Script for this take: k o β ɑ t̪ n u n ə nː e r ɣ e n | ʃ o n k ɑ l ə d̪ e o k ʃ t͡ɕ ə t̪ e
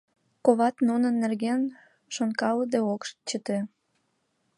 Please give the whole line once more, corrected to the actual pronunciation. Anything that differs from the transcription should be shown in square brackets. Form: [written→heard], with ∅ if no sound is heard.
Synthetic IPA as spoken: k o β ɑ t̪ n u n ə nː e r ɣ e n | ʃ o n k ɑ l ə d̪ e o k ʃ t͡ɕ ə t̪ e